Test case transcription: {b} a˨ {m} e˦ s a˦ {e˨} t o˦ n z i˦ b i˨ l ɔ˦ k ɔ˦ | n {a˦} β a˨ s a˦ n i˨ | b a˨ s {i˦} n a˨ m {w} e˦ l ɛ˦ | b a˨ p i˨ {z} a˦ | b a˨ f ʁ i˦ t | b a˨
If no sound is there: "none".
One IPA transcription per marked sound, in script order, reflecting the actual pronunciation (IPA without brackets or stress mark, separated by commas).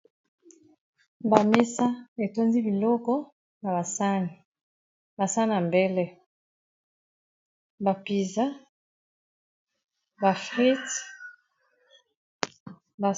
b, m, e˨, a˨, a˦, b, z